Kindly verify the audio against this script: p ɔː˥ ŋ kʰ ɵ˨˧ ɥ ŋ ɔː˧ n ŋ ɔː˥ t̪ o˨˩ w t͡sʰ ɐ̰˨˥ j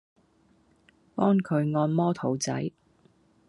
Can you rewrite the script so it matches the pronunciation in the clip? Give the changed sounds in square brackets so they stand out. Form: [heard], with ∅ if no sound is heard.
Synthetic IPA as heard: p ɔː˥ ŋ kʰ ɵ˨˧ ɥ ŋ ɔː˧ n [m] ɔː˥ [t̪ʰ] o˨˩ w [t͡s] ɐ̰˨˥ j